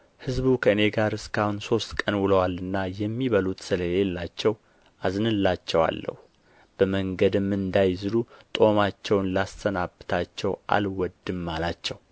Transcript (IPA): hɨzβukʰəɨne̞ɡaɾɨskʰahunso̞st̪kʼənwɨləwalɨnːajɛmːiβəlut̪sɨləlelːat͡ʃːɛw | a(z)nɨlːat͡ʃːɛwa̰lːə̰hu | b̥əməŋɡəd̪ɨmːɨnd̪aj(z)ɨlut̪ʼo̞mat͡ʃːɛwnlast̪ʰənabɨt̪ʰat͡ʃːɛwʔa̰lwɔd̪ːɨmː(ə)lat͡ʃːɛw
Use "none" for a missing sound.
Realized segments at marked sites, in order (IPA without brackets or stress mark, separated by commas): z, z, a